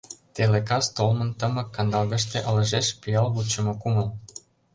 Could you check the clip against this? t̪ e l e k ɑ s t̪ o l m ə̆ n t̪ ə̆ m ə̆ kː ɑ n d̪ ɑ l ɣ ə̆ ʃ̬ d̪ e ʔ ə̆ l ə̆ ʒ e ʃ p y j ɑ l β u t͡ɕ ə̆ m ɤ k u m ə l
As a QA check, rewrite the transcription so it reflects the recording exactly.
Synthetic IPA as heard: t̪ e l e k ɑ s t̪ o l m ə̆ n t̪ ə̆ m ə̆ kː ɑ n d̪ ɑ l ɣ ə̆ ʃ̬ t̪ e ʔ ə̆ l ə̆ ʒ e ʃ p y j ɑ l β u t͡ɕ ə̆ m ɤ k u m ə l